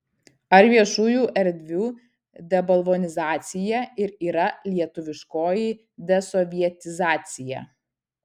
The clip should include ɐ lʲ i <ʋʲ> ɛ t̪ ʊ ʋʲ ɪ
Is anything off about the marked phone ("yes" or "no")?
yes